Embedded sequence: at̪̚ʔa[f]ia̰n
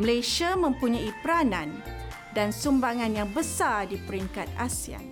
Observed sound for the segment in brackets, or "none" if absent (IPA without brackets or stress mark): s